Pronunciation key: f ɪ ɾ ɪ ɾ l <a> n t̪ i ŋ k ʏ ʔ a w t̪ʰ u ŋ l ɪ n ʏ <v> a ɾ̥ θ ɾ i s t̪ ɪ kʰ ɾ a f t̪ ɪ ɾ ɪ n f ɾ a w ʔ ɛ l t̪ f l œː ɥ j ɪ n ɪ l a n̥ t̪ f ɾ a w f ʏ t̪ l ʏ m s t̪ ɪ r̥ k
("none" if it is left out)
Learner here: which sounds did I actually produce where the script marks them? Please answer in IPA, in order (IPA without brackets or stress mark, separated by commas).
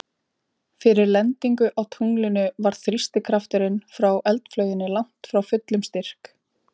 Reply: ɛ, v